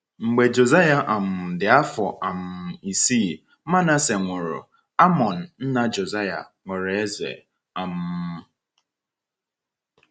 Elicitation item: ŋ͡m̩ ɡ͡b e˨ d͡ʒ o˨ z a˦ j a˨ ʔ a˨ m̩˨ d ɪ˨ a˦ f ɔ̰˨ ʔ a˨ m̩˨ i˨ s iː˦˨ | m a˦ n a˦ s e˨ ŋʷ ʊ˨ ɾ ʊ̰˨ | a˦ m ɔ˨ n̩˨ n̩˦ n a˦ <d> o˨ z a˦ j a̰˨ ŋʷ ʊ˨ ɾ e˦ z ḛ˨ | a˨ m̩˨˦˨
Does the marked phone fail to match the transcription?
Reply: yes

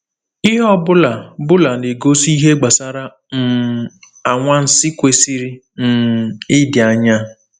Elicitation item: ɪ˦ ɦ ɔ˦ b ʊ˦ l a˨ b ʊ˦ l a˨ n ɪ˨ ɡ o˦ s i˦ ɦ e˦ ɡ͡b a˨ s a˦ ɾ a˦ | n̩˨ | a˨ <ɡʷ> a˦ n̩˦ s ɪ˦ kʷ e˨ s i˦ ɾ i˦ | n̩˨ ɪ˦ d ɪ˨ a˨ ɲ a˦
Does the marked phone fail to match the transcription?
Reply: yes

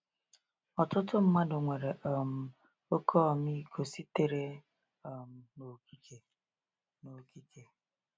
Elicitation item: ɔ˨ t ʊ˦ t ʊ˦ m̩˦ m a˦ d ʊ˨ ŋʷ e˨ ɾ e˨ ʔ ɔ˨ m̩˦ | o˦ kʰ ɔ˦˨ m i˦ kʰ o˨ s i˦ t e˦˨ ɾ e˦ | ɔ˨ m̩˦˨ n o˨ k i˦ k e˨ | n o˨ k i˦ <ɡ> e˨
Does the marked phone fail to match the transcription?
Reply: yes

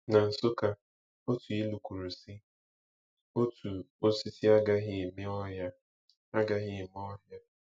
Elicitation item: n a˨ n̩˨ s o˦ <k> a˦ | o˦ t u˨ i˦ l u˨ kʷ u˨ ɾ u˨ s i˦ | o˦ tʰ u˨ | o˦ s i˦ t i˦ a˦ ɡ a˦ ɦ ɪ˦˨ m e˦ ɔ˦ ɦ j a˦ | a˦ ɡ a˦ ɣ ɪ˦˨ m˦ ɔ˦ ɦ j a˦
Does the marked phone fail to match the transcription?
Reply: no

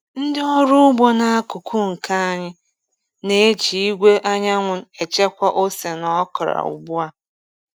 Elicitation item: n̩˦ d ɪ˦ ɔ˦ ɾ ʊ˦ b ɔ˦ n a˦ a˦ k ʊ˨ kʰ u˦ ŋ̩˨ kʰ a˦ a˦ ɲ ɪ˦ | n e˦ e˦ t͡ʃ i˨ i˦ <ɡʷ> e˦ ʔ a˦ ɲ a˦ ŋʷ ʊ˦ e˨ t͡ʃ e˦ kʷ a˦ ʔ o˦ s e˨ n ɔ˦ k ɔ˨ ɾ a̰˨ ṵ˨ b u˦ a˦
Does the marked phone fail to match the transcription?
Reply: no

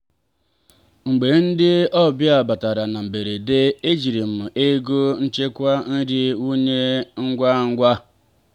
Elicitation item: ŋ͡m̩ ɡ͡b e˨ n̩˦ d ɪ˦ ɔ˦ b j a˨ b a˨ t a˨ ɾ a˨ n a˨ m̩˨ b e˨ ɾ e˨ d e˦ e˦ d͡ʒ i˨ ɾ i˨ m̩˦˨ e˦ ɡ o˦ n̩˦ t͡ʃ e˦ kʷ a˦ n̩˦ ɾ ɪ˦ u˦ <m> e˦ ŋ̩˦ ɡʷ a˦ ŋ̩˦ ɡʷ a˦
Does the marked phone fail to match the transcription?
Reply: yes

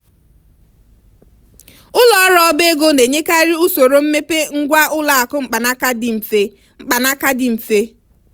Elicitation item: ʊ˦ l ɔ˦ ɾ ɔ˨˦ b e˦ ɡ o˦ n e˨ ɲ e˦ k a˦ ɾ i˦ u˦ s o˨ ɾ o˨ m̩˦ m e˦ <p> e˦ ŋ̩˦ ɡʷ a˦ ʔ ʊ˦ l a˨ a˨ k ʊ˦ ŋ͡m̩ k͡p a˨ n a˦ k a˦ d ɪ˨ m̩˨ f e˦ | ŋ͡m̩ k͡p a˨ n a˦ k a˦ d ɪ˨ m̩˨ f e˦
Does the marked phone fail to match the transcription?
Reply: no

